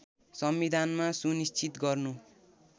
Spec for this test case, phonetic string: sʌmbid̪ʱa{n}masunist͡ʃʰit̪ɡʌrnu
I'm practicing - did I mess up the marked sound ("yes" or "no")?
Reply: no